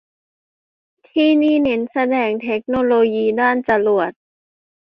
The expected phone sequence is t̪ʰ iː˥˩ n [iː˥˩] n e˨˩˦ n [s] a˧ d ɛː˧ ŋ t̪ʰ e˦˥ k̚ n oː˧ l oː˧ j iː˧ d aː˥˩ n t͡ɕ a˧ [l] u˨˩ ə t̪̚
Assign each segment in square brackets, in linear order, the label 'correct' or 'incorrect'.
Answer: correct, correct, correct

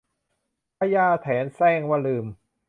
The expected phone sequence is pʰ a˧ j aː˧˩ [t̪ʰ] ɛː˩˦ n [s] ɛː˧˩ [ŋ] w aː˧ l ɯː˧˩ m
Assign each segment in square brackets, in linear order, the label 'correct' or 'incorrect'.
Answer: correct, correct, correct

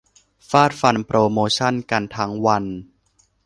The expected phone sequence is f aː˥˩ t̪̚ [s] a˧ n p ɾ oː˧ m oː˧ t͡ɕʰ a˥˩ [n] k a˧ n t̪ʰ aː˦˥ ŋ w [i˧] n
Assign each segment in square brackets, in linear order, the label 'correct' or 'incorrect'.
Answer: incorrect: f, correct, incorrect: a˧

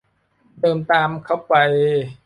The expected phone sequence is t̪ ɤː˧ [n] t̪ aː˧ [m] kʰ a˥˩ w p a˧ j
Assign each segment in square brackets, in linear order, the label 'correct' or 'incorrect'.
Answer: incorrect: m, correct

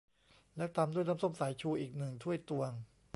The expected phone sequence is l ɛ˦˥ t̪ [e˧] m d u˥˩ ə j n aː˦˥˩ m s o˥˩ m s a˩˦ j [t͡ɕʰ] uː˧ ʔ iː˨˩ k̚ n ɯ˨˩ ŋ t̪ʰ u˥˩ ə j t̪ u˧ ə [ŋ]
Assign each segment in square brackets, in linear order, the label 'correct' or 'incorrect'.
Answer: incorrect: a˧, correct, correct

